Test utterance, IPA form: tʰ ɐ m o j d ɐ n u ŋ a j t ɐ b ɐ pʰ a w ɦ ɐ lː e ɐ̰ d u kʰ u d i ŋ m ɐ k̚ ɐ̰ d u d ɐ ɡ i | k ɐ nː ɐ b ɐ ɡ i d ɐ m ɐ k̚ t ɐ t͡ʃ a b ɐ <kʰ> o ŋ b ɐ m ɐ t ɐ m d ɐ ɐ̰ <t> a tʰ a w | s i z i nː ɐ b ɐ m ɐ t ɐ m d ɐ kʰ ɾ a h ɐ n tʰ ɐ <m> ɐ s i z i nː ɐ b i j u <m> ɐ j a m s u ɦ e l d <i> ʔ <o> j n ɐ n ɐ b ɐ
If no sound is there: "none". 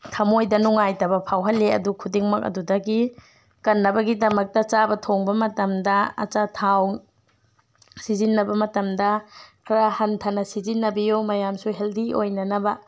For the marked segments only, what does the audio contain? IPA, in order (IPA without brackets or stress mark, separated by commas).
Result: tʰ, t͡ʃ, n, m, i, o